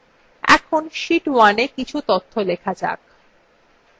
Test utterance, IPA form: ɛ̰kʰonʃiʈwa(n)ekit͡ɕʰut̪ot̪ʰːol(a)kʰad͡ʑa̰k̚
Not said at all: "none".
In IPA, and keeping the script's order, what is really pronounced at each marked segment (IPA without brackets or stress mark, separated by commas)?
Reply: n, e